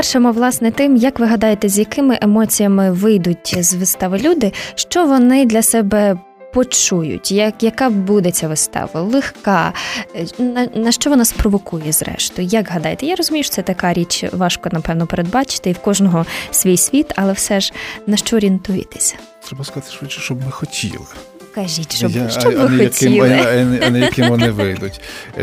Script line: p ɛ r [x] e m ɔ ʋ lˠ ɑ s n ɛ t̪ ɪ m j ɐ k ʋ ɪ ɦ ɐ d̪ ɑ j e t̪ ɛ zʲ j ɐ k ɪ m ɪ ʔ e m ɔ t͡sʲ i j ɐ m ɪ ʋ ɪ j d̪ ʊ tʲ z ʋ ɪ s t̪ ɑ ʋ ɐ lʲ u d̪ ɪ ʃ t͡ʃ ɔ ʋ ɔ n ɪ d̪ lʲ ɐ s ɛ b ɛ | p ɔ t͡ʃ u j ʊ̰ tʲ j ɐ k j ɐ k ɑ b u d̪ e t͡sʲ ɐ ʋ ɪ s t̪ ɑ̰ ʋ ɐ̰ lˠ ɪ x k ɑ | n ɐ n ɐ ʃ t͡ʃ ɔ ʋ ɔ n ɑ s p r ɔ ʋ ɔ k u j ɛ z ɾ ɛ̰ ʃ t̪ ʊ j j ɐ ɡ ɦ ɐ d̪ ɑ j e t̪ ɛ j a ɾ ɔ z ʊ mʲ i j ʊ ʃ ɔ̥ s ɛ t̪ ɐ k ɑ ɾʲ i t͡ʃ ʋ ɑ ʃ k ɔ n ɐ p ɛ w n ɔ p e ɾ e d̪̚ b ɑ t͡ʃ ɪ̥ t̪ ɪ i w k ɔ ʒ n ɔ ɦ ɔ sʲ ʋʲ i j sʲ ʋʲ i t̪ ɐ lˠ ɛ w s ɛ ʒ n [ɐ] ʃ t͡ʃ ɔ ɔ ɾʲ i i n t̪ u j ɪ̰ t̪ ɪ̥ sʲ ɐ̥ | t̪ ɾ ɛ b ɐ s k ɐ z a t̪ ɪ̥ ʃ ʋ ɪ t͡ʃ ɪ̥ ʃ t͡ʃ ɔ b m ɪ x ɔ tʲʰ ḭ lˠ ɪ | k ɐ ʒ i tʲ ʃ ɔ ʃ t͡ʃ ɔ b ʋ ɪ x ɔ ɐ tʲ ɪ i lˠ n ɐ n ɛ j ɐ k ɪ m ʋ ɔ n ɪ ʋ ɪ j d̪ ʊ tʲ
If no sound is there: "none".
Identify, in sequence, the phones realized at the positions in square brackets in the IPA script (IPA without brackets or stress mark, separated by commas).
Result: ʃ, ɐ